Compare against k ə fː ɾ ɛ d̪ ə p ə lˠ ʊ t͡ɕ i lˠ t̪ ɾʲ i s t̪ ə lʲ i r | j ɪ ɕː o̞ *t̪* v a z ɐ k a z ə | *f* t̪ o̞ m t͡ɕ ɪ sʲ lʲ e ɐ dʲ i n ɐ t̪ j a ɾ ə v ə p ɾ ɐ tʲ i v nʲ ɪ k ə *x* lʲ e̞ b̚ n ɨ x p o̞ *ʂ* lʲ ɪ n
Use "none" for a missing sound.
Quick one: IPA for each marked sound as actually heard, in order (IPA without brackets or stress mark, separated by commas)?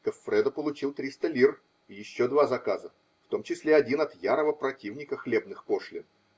d̪, f, x, ʂ